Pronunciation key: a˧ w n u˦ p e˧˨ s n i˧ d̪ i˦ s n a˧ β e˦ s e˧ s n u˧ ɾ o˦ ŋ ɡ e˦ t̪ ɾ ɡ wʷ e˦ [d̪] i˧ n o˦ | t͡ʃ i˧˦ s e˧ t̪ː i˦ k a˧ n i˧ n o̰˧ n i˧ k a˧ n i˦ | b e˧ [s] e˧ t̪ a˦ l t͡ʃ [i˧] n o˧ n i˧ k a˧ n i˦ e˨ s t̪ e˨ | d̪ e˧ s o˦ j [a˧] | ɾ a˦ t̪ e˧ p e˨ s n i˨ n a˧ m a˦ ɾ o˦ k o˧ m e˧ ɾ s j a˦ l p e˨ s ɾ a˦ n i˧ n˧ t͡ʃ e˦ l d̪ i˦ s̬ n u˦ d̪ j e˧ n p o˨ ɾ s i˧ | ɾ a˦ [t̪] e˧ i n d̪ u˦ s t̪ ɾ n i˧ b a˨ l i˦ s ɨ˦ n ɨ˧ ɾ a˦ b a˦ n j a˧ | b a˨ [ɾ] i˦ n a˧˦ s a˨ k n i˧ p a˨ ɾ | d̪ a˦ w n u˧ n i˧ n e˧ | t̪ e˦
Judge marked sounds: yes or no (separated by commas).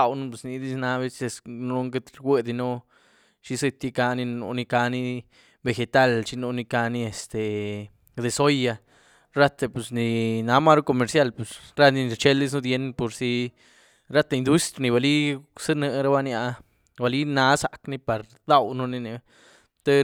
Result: yes, no, yes, yes, yes, no